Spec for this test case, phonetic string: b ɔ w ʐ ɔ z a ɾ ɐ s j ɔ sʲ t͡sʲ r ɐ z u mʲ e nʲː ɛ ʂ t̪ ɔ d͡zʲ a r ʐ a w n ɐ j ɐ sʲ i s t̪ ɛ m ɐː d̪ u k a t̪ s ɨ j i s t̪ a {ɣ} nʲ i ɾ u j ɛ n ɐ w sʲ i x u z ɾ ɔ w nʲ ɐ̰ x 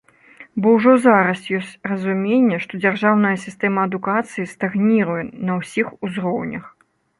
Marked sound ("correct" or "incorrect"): correct